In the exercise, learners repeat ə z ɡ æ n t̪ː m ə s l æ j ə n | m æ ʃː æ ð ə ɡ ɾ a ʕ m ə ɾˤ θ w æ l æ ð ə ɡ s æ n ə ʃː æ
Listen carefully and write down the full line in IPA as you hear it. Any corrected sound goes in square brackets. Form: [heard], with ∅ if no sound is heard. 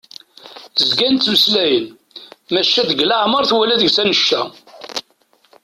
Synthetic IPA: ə z ɡ æ n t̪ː m ə s l æ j ə n | m æ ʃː æ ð ə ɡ [l] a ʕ m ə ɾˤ θ w æ l æ ð ə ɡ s æ n ə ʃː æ

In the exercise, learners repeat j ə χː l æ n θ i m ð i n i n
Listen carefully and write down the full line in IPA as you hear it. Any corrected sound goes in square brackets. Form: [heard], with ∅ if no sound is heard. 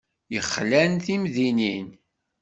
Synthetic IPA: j ə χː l æ n θ i m ð i n i n

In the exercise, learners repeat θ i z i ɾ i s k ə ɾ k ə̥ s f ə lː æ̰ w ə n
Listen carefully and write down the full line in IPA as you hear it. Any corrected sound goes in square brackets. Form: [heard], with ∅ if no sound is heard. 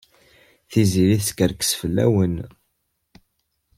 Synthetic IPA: θ i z i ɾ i [θ] k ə ɾ k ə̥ s f ə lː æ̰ w ə n

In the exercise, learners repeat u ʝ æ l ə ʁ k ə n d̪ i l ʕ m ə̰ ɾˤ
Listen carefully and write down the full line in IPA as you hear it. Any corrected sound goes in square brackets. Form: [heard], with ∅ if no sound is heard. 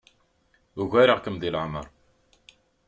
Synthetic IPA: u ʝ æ [ɾ] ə ʁ k ə [m] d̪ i l ʕ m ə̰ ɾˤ

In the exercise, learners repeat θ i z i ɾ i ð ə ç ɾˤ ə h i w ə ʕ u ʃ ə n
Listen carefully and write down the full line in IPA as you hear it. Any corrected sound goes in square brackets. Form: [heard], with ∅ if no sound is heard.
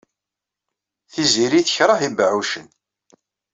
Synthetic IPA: θ i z i ɾ i [θ] ə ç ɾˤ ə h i [b] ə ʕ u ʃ ə n

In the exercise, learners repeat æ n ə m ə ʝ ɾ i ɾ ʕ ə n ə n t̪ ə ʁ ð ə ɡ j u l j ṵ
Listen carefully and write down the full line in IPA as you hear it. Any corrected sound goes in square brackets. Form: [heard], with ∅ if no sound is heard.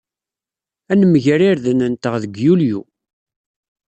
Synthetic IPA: æ n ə m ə ʝ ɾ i ɾ [ð] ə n ə n t̪ ə ʁ ð ə ɡ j u l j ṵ

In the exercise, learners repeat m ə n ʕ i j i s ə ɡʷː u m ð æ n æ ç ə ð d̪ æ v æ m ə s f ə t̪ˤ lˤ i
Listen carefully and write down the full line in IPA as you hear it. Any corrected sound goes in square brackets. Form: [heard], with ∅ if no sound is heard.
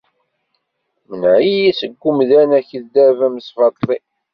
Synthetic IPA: m ə n ʕ i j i s ə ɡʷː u m ð æ n æ ç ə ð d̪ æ v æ m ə s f [ɑ] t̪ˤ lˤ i

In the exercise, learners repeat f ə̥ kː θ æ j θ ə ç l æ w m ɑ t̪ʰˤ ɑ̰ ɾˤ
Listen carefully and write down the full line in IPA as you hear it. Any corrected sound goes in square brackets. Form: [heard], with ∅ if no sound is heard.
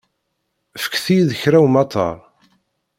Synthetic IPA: f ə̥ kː θ [i] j [ð] ə ç [ɾ] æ w m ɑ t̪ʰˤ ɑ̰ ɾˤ

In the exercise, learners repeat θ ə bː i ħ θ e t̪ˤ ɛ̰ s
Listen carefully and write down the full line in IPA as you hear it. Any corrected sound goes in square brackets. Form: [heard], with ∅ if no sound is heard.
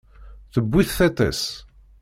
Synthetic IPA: θ ə bː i [θ] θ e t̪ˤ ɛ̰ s

